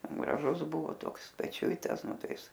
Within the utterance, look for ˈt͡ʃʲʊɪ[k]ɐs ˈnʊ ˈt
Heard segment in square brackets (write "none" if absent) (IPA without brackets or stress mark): t